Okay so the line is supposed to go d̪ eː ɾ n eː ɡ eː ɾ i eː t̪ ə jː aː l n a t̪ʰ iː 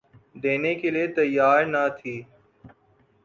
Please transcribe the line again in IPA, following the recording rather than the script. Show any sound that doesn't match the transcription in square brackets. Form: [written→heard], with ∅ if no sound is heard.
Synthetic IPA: d̪ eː [ɾ→∅] n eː [ɡ→k] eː [ɾ→l] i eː t̪ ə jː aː [l→ɾ] n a t̪ʰ iː